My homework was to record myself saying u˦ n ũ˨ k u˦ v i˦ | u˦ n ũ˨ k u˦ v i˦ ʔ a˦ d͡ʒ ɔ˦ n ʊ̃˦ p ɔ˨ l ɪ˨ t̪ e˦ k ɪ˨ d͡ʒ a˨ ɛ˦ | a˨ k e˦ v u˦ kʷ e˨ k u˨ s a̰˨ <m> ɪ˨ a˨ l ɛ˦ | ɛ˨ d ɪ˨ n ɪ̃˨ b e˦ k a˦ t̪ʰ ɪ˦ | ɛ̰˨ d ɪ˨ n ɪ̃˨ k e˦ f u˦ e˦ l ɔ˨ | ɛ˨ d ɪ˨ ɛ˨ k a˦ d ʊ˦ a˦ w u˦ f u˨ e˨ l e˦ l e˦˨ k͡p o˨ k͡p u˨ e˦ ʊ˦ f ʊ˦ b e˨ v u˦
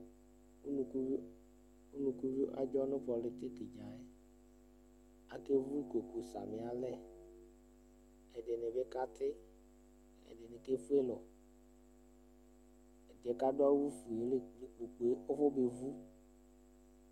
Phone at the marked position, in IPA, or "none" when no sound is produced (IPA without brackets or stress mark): m